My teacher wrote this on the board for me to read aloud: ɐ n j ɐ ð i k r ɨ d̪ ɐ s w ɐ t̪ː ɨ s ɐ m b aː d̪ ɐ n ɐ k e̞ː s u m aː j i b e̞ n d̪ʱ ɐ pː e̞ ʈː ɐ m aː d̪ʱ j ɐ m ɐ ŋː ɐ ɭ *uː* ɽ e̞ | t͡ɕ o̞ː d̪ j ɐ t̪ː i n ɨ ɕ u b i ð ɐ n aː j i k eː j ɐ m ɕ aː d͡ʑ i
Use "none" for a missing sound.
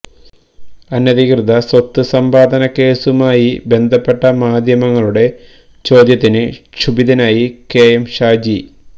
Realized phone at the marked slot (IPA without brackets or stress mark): u